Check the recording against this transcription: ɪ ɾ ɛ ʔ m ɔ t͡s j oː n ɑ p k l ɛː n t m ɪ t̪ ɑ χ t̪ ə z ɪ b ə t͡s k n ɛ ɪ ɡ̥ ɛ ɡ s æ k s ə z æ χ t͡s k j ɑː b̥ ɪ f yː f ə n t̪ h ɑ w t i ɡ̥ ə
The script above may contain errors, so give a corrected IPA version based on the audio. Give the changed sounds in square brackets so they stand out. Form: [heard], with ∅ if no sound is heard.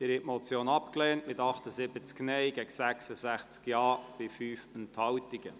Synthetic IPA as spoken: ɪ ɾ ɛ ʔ m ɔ t͡s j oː n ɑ p k l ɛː n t m ɪ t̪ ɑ χ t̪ ə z ɪ b ə t͡s k n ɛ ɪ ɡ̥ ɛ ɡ s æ k s ə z æ χ t͡s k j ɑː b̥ ɪ f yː f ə n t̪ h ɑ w t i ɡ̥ ə